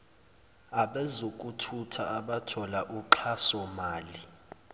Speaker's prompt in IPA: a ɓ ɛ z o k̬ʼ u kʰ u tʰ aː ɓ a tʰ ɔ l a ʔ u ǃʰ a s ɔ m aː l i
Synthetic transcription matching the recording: a ɓ ɛ z o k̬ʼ u tʰ u tʰ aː ɓ a tʰ ɔ l a ʔ u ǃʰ a s ɔ m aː l i